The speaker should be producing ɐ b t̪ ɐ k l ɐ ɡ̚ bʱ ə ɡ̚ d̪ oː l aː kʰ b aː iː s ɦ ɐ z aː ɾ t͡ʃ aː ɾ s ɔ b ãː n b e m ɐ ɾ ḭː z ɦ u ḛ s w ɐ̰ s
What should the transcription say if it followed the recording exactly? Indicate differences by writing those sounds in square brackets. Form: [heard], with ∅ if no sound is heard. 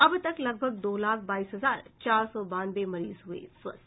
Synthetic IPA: ɐ b t̪ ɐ k l ɐ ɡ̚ bʱ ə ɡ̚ d̪ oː l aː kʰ b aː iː s ɦ ɐ z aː ɾ t͡ʃ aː ɾ s ɔ b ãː n b e m ɐ ɾ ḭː z ɦ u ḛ s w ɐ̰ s